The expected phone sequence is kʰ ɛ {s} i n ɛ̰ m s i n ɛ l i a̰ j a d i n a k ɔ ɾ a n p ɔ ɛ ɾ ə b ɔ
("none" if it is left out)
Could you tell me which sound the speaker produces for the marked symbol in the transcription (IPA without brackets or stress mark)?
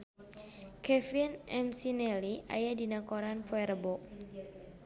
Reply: f